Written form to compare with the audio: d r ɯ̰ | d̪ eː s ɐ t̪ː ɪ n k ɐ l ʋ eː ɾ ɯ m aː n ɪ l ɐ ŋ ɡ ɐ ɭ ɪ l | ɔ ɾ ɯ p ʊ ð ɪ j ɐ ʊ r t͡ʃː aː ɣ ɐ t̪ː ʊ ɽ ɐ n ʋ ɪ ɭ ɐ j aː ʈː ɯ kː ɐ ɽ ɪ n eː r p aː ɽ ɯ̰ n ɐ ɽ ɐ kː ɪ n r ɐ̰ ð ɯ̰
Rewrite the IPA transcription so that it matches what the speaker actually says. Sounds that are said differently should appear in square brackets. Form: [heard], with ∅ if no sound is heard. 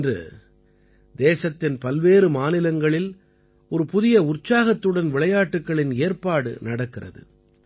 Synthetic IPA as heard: d r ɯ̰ | d̪ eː s ɐ t̪ː ɪ n [p] ɐ l ʋ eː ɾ ɯ m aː n ɪ l ɐ ŋ ɡ ɐ ɭ ɪ l | ɔ ɾ ɯ p ʊ ð ɪ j ɐ ʊ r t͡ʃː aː ɣ ɐ t̪ː [ɯ] ɽ ɐ n ʋ ɪ ɭ ɐ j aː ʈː ɯ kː ɐ [ɭ] ɪ n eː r p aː ɽ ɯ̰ n ɐ ɽ ɐ kː ɪ [∅] r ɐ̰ ð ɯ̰